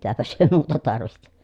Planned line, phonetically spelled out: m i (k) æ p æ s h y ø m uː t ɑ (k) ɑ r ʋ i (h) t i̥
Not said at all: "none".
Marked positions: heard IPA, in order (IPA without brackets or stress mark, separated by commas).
t, t, h